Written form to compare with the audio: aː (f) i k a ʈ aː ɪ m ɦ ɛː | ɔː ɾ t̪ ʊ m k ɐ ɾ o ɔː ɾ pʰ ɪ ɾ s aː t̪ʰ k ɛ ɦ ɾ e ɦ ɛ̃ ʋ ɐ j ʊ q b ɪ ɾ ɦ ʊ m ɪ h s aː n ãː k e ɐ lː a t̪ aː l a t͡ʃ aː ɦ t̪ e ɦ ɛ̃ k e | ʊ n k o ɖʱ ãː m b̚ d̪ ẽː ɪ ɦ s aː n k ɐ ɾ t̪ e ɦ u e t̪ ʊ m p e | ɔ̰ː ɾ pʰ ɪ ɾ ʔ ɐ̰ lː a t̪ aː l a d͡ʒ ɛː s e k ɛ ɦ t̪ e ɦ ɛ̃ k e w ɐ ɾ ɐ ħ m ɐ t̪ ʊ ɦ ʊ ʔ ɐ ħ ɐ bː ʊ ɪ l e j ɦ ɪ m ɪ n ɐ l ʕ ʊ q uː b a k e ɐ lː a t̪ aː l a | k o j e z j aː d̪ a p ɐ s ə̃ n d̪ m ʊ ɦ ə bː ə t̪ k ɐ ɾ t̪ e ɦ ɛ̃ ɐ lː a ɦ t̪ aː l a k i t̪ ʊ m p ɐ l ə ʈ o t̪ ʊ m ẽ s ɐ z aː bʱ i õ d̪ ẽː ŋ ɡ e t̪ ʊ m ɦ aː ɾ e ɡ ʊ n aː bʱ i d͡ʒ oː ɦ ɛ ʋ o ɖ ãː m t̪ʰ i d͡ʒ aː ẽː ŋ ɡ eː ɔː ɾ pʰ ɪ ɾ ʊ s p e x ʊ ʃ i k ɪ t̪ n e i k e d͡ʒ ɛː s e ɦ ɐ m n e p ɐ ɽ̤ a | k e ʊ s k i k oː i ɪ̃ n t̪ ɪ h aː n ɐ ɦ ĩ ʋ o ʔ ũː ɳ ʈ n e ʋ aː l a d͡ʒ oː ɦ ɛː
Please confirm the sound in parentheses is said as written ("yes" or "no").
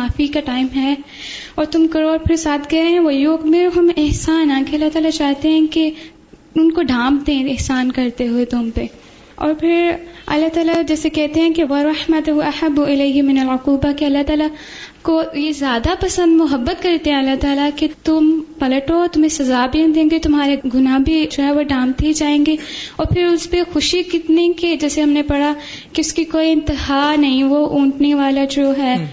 yes